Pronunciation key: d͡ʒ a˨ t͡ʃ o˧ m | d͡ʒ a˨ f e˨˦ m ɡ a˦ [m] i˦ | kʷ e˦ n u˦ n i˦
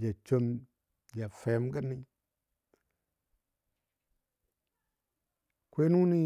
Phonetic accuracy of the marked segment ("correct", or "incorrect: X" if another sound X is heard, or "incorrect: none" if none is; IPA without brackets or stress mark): incorrect: n